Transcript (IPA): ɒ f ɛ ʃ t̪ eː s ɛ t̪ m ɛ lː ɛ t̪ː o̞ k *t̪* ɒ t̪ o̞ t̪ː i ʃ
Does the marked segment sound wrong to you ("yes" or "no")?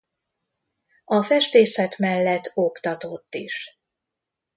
no